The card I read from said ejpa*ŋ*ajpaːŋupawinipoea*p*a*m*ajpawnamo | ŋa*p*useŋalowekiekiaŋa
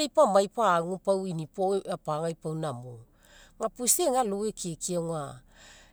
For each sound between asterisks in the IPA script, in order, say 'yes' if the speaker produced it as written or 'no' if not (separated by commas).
no, yes, no, yes